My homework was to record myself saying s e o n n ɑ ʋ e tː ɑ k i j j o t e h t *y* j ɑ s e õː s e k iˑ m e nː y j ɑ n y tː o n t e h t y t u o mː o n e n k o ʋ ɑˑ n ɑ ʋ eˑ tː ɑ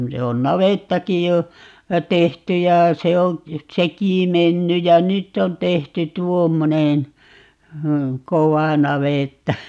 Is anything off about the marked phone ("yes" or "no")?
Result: no